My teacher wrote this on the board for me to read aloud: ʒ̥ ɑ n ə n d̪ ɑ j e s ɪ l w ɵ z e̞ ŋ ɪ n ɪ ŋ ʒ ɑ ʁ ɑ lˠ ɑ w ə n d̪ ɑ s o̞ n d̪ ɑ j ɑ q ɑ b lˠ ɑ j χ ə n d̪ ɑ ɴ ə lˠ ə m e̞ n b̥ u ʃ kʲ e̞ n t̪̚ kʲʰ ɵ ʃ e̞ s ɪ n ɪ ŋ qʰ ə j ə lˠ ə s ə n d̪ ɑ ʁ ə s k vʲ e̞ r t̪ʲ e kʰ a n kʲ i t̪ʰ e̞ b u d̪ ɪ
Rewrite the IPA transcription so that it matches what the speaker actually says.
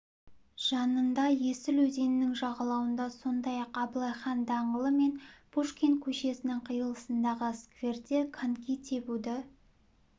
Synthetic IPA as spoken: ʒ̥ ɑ n ə n d̪ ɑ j e s ɪ l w ɵ z e̞ n ɪ n ɪ ŋ ʒ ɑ ʁ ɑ lˠ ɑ w ə n d̪ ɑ s o̞ n d̪ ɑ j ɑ q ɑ b lˠ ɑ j χ ɑ n d̪ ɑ ɴ ə lˠ ə m e̞ n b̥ u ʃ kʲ e̞ n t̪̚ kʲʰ ɵ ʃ e̞ s ɪ n ɪ ŋ qʰ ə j ə lˠ ə s ə n d̪ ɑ ʁ ə s k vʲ e̞ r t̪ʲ e kʰ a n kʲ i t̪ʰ e̞ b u d̪ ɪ